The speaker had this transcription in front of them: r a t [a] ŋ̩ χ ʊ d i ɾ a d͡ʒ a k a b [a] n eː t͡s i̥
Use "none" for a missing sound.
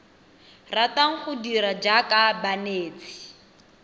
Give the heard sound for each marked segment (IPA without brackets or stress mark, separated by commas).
a, a